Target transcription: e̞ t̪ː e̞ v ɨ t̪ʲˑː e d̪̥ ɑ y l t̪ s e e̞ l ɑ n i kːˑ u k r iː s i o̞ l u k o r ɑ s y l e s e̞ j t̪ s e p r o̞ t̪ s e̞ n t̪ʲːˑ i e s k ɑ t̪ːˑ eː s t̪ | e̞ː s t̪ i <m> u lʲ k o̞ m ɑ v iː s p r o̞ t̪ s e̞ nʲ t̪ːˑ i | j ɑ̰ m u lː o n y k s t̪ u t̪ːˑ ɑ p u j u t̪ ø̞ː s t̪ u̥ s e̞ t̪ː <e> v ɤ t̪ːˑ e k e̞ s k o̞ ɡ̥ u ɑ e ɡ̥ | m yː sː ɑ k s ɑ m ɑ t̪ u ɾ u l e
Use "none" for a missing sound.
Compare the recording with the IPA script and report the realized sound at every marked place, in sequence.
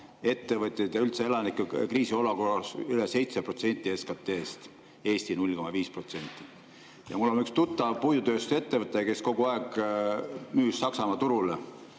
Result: n, e

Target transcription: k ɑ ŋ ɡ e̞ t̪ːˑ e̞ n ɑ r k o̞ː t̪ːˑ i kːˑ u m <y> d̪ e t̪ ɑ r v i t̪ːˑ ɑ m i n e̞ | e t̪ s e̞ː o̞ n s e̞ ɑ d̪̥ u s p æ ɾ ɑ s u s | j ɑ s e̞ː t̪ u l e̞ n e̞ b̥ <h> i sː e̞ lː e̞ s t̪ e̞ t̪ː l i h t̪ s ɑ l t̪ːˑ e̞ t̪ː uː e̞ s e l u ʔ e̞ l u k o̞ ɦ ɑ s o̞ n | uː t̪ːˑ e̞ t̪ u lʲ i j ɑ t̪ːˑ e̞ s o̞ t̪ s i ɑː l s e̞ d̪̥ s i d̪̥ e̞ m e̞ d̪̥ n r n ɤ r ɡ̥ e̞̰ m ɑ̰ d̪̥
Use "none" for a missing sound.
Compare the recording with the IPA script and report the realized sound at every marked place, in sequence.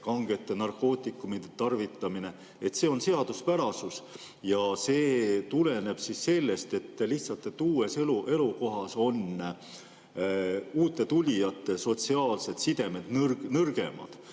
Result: i, s

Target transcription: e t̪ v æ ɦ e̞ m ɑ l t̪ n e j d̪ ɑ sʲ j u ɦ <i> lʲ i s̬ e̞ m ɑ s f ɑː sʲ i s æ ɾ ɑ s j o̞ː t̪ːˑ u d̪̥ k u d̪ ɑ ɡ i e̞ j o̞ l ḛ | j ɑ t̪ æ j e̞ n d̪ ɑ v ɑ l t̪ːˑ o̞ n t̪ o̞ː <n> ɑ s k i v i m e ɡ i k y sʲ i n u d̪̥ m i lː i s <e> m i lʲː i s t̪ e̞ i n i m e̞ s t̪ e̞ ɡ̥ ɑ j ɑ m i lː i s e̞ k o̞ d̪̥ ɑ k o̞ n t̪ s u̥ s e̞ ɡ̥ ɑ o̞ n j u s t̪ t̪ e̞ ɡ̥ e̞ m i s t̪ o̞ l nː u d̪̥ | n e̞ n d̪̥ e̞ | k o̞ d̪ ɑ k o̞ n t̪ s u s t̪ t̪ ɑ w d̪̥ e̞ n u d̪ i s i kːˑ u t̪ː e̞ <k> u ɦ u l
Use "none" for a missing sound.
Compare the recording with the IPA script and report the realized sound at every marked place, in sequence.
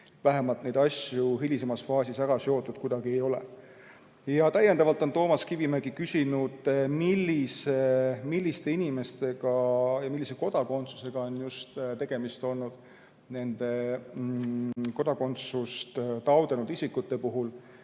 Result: i, m, e, p

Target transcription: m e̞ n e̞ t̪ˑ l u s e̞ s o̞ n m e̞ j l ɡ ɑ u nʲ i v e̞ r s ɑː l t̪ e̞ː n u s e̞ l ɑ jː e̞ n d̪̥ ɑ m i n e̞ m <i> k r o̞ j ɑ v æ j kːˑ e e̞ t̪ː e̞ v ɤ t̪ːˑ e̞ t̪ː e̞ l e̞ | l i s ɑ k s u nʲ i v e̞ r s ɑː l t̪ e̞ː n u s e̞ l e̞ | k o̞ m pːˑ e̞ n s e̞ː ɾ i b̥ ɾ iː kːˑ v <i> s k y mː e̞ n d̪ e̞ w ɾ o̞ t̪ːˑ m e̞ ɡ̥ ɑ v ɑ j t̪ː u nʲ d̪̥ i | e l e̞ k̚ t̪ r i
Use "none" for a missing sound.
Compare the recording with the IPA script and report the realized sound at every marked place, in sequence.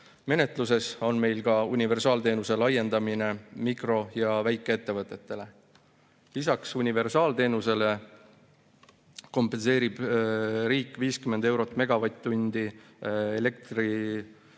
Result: i, iː

